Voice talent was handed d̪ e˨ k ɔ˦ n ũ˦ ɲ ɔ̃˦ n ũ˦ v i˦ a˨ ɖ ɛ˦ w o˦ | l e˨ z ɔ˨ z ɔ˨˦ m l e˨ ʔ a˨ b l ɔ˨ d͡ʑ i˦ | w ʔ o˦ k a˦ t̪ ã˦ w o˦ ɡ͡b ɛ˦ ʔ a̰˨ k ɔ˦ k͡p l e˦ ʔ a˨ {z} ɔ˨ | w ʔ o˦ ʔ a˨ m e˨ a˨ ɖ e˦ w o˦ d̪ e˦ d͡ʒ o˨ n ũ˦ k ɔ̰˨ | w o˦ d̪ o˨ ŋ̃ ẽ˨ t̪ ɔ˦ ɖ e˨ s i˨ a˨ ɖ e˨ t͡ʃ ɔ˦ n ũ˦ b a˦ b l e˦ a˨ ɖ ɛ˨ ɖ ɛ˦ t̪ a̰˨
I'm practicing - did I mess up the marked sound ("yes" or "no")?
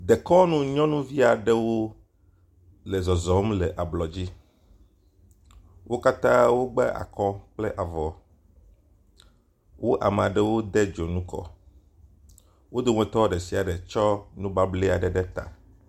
yes